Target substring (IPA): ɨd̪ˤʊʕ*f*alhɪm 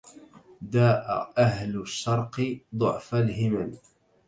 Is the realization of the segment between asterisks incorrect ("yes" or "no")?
no